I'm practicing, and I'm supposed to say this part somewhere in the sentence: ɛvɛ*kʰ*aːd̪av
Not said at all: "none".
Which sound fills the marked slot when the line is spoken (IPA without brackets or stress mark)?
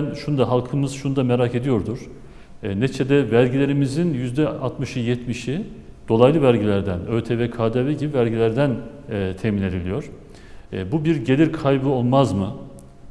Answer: kʰ